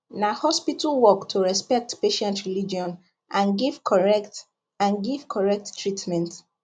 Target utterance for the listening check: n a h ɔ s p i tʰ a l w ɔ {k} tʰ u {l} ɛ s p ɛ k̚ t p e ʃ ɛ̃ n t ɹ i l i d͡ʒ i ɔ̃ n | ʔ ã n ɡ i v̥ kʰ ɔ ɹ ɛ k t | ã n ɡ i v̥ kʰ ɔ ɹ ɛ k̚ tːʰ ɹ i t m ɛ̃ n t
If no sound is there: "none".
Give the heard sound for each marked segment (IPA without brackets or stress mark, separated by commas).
k, ɹ